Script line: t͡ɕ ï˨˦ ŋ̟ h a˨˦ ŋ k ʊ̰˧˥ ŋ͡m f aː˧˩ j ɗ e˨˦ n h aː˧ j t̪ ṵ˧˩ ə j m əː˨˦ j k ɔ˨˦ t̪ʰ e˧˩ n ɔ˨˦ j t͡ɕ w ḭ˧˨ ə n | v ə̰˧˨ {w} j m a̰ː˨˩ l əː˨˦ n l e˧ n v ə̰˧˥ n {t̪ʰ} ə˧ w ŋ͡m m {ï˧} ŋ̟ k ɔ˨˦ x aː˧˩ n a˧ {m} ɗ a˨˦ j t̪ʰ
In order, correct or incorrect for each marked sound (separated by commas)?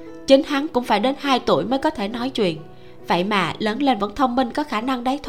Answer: incorrect, correct, correct, incorrect